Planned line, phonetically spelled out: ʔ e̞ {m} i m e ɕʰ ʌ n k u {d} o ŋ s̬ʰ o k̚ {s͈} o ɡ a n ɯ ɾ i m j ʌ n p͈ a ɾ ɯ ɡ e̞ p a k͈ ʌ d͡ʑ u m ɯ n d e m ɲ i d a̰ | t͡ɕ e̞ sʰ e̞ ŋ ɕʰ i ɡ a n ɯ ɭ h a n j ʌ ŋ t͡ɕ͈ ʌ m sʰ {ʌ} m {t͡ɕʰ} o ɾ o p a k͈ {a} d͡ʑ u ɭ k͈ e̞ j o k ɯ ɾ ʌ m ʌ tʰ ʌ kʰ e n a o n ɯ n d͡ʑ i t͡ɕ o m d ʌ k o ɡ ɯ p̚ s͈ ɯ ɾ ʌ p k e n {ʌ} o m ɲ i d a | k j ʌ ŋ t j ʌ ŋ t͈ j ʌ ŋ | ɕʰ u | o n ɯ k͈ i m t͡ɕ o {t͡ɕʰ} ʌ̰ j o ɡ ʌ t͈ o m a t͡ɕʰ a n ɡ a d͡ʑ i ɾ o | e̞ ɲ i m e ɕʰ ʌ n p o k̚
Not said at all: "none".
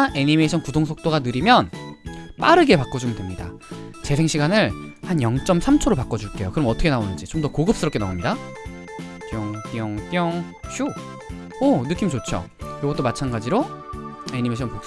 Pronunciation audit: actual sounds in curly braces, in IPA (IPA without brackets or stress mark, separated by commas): ɲ, d, t͈, a, t͡ɕʰ, ʌ, a, t͡ɕʰ